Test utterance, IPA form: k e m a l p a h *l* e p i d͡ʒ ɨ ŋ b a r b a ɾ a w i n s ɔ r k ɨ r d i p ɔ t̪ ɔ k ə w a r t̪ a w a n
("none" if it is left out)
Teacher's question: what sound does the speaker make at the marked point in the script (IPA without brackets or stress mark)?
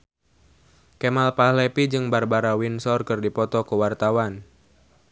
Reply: l